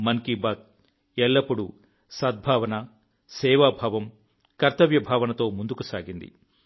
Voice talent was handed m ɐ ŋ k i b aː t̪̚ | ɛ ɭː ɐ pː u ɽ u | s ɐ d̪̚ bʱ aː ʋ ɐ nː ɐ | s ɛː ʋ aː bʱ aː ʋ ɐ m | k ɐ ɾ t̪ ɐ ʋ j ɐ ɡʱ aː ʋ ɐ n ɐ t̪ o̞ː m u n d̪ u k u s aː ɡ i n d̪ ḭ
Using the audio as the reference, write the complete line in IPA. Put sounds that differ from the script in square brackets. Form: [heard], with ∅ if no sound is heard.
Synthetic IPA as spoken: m ɐ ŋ k i b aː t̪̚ | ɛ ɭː ɐ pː u ɽ u | s ɐ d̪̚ bʱ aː ʋ ɐ [n] ɐ | s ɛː ʋ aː bʱ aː ʋ ɐ m | k ɐ ɾ t̪ ɐ ʋ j ɐ [bʱ] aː ʋ ɐ n ɐ t̪ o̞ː m u n d̪ u k u s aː ɡ i n d̪ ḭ